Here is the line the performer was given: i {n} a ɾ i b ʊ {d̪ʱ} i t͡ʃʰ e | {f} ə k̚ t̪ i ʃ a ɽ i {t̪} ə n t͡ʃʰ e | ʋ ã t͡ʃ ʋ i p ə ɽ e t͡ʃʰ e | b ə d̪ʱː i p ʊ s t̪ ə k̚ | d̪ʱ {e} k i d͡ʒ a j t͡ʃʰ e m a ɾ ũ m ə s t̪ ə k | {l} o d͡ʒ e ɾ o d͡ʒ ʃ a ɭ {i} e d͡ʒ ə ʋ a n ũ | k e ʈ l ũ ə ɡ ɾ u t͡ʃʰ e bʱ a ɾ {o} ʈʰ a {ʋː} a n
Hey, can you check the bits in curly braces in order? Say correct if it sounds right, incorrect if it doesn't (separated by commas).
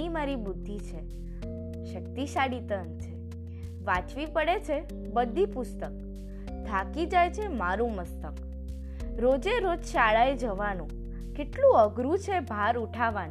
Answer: incorrect, incorrect, incorrect, correct, incorrect, incorrect, incorrect, incorrect, incorrect